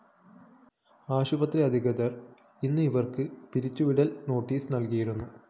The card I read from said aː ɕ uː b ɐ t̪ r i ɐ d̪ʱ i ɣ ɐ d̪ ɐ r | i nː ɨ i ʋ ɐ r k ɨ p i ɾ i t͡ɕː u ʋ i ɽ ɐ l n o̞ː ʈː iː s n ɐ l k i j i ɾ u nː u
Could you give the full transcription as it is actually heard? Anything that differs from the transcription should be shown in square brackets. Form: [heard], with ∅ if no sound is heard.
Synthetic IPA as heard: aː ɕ [u] b ɐ t̪ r i ɐ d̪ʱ i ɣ ɐ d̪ ɐ r | i nː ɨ i ʋ ɐ r k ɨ p i ɾ i t͡ɕː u ʋ i ɽ ɐ l n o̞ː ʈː iː s n ɐ l k i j i ɾ u nː u